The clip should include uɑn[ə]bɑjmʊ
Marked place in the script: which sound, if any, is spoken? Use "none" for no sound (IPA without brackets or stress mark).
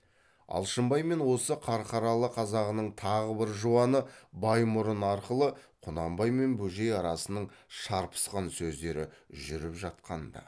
ə